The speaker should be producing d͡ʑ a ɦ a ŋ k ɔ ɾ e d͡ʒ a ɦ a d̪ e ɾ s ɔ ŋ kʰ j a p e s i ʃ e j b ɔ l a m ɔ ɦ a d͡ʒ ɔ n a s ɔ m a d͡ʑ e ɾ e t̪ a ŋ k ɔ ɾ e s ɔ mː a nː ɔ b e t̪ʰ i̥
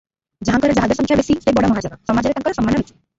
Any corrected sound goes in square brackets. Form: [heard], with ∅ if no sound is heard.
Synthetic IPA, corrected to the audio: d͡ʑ a ɦ a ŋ k ɔ ɾ e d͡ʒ a ɦ a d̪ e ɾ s ɔ ŋ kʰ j a [b] e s i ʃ e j b ɔ [ɽ] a m ɔ ɦ a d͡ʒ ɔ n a s ɔ m a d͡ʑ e ɾ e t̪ a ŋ k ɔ ɾ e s ɔ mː a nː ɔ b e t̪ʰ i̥